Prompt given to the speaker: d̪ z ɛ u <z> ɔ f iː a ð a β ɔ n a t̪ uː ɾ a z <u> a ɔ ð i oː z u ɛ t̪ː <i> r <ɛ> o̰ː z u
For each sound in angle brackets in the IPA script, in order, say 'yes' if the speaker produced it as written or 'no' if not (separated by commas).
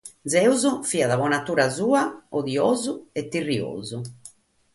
yes, no, yes, no